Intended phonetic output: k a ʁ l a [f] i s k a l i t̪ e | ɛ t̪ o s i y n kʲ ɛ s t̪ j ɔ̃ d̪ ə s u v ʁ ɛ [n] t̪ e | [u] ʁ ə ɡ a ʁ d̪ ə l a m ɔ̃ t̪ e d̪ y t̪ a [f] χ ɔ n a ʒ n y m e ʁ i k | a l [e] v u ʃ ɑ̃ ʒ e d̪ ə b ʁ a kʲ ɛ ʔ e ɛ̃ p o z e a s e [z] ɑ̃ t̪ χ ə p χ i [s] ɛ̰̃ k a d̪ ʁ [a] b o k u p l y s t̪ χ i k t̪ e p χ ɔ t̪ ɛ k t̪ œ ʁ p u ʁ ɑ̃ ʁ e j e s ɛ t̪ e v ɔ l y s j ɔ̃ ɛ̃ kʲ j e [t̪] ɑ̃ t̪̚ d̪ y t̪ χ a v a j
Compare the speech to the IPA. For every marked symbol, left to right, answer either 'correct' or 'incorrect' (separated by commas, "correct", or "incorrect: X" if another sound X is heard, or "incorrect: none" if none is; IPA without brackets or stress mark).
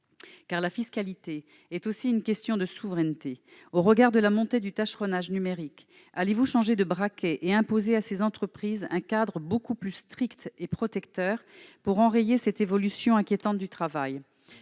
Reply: correct, correct, incorrect: o, incorrect: ʃ, correct, correct, incorrect: z, incorrect: ə, correct